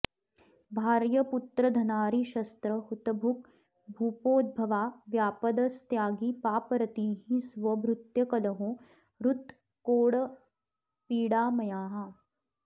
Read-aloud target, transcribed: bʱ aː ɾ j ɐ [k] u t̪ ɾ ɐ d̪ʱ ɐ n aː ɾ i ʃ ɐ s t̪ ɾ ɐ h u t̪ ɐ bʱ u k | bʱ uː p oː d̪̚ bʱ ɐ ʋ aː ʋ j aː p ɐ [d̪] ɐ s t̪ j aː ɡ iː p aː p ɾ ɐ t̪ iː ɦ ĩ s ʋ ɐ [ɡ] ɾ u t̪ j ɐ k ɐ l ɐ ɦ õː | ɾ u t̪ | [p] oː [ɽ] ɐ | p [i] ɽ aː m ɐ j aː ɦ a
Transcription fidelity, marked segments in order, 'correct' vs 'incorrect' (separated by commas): incorrect, correct, incorrect, incorrect, correct, incorrect